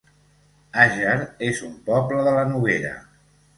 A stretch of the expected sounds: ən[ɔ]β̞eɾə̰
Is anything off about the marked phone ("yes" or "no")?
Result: yes